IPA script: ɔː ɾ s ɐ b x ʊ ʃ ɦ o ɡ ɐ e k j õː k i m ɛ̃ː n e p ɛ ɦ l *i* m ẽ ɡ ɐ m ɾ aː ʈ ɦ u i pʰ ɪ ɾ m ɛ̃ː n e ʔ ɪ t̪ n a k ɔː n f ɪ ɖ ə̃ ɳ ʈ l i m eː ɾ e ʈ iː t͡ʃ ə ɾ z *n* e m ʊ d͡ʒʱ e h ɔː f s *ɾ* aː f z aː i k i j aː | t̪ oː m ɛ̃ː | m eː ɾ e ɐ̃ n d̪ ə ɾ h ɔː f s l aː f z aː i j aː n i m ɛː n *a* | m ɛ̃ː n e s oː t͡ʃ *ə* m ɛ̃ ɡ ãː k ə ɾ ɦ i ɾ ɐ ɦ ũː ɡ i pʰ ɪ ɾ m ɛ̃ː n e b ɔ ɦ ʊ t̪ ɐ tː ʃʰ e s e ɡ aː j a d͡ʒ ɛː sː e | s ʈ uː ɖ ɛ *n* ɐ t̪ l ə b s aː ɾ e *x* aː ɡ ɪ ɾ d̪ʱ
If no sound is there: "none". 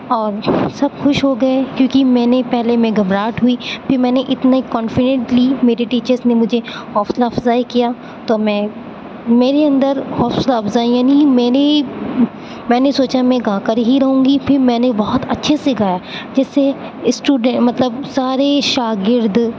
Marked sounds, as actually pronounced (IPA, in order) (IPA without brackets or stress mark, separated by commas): e, n, l, e, a, m, ʃ